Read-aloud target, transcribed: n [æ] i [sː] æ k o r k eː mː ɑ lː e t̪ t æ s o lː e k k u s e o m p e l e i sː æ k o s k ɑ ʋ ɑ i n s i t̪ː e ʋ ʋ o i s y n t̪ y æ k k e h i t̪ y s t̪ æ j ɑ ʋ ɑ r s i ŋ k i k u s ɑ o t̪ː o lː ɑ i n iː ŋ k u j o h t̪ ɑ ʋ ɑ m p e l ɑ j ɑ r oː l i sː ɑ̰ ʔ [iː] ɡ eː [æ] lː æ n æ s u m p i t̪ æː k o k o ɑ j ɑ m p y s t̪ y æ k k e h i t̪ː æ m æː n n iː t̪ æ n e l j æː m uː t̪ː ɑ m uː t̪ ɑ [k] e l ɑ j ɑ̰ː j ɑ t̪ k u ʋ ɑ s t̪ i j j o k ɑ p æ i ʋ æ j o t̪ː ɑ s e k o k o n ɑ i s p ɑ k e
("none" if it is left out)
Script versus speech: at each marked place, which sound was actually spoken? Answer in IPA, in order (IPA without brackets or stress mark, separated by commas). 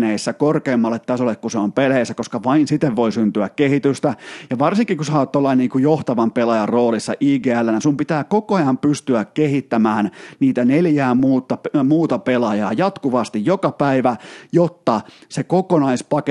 e, sː, iː, æ, p